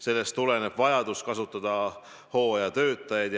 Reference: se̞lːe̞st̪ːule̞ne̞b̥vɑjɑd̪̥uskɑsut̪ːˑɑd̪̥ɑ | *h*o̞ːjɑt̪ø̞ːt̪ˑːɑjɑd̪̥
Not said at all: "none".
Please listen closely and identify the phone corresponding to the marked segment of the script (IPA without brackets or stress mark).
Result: h